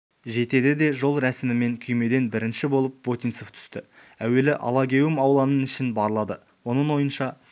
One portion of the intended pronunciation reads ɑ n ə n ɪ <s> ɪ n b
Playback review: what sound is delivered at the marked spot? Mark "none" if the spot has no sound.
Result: ʃ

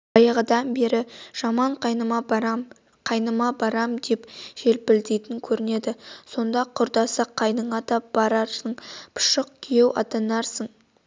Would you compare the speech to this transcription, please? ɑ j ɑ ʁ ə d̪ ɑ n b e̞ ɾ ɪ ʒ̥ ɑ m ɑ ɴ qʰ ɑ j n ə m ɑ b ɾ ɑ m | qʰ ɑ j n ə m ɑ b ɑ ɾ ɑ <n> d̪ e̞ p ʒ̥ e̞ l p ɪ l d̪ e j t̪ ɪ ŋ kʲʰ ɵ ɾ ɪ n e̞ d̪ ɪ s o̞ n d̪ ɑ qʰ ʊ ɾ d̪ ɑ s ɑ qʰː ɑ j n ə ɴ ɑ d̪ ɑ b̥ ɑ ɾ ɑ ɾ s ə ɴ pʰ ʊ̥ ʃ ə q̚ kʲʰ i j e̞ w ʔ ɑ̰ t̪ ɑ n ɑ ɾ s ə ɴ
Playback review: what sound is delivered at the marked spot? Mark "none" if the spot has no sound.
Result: m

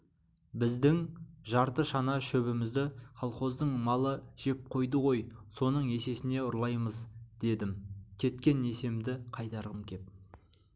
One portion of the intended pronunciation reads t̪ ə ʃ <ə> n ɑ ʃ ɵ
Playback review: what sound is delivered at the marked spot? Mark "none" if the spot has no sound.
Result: ɑ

